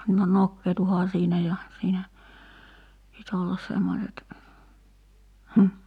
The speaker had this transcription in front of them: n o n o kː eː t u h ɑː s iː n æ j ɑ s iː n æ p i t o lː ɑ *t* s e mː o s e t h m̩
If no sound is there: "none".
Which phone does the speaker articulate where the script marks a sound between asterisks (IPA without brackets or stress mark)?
s